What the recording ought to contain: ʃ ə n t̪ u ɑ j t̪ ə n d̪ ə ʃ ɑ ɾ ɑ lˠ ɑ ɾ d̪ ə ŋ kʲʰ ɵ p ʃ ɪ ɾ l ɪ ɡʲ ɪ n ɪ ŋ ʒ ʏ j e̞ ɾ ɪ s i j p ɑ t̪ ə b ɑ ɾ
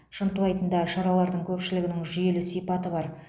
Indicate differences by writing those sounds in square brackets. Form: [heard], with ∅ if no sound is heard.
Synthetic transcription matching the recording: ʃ ə n t̪ u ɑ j t̪ ə n d̪ [ɑ] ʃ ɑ ɾ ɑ lˠ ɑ ɾ d̪ ə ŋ kʲʰ ɵ p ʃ ɪ [∅] l ɪ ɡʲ ɪ n ɪ ŋ ʒ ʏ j e̞ [l] ɪ s i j p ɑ t̪ ə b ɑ ɾ